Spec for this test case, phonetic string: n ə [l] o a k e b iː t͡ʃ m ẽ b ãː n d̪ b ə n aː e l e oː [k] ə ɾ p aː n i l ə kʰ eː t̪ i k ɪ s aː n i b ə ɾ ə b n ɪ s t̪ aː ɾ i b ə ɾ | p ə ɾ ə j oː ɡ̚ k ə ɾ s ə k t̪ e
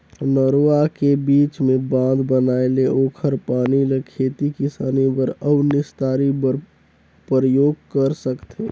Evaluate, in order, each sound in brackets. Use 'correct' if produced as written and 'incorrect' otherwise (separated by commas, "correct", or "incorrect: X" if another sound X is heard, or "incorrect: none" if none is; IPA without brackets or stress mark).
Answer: incorrect: ɾ, incorrect: kʰ